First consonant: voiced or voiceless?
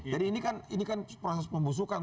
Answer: voiced